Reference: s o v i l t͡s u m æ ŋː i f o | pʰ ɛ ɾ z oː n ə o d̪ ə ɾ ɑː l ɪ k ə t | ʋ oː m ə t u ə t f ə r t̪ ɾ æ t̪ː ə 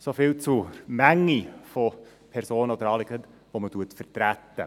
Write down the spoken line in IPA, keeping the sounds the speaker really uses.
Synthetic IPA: s o f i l t͡s u m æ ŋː i f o | pʰ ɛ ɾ s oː n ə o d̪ ə ɾ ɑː l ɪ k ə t | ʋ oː m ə t u ə t f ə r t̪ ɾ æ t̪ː ə